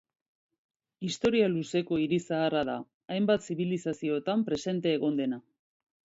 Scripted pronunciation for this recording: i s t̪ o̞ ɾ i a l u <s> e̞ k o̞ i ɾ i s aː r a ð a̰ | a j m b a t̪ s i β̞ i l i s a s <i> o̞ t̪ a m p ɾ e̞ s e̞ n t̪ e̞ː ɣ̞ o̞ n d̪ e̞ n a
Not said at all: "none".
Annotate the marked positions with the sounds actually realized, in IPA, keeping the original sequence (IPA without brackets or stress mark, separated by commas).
s, i